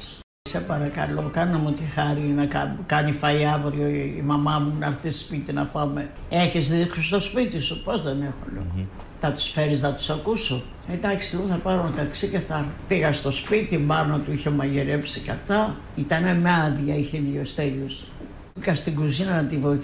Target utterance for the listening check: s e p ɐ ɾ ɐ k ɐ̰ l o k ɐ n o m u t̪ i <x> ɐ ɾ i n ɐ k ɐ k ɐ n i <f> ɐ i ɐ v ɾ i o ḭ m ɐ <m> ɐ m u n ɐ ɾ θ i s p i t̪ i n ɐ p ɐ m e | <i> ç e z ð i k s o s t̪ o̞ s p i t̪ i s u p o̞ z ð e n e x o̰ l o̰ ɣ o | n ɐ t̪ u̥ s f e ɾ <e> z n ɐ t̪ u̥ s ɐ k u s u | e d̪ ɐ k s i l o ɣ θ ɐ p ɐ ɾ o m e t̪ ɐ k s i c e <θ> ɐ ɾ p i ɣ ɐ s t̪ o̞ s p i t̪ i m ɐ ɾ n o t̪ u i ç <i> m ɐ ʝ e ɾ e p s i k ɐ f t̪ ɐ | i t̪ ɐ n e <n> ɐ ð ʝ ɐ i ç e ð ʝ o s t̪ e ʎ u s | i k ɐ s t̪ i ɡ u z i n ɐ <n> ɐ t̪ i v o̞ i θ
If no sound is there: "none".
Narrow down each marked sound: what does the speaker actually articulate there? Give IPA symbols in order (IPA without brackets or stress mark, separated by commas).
x, f, m, e, i, θ, e, m, n